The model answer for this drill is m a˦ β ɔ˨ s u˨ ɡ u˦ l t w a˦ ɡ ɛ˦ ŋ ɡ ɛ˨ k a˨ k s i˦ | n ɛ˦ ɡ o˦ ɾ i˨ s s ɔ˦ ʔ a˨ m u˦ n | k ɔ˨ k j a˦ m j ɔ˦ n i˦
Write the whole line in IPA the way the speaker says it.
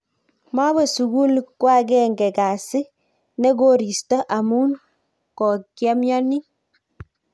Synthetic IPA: m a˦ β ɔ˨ s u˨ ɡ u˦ l k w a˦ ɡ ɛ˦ ŋ ɡ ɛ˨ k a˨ s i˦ | n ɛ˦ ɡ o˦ ɾ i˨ s t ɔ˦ ʔ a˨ m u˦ n | k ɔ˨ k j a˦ m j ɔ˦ n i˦